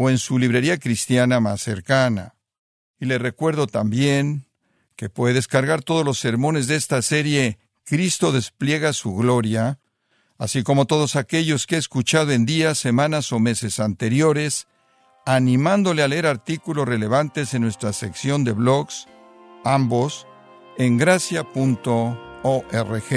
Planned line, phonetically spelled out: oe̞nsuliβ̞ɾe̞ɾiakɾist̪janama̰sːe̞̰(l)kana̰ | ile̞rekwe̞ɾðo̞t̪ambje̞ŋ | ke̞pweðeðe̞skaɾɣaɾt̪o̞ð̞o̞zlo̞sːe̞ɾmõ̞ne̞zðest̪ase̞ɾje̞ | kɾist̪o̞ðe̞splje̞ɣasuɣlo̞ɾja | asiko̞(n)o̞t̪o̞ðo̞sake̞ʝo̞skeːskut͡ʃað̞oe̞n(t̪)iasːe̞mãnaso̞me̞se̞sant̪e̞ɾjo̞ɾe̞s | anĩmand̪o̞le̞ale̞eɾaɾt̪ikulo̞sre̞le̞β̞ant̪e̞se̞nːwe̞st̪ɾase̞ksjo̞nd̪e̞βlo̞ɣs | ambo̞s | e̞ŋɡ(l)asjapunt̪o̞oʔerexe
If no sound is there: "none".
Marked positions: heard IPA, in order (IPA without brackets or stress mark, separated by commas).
ɾ, m, d̪, ɾ